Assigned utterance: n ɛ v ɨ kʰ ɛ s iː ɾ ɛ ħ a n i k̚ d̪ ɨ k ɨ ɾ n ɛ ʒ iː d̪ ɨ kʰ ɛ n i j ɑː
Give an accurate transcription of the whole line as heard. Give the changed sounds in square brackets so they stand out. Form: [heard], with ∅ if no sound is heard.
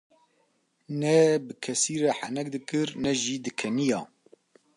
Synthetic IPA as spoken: n ɛ [b] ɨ kʰ ɛ s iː ɾ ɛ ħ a n [ɛ] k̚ d̪ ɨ k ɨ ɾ n ɛ ʒ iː d̪ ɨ kʰ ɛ n i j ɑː